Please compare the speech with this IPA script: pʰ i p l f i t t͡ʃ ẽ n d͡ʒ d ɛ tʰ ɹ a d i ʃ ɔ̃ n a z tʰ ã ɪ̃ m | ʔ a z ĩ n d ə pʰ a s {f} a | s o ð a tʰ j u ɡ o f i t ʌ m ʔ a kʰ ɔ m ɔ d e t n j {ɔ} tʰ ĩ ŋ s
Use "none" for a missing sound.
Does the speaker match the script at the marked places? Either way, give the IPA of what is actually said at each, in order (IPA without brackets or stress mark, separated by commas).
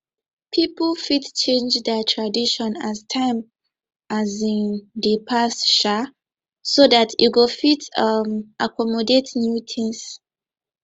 ʃ, u